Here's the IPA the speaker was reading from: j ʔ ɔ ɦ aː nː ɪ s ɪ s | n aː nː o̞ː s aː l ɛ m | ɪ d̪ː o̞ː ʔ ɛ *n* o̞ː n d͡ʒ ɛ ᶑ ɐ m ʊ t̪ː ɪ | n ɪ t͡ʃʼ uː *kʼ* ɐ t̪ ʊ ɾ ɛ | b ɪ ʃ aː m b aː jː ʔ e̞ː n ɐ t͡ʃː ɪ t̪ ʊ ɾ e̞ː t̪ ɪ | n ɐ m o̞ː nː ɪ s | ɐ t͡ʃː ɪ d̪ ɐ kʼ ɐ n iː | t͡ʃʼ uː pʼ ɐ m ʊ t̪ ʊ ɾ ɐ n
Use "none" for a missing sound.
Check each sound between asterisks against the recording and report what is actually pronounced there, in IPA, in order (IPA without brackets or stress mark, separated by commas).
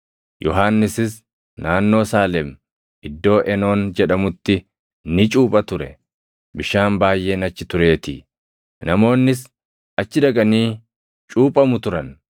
n, pʼ